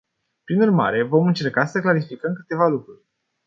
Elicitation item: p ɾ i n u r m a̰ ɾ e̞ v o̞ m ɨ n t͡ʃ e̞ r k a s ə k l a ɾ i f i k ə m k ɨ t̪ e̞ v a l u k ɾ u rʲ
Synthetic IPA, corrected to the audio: p ɾ i n u r m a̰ ɾ e̞ v o̞ m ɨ n t͡ʃ e̞ r k a s ə k l a ɾ i f i k ə m k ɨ t̪ e̞ v a l u k ɾ u rʲ